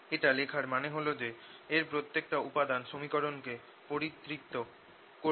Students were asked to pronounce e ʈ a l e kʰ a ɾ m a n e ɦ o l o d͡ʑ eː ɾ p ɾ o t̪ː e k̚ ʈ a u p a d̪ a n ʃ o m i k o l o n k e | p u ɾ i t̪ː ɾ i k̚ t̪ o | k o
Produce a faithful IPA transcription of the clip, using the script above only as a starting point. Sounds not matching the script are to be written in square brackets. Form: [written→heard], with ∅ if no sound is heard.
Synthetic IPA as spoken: e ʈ a l e kʰ a ɾ m a n e ɦ o l o d͡ʑ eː ɾ p ɾ o t̪ː e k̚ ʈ a u p a d̪ a n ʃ o m i k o [l→ɾ] o n k e | p [u→o] ɾ i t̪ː ɾ i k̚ t̪ o | k o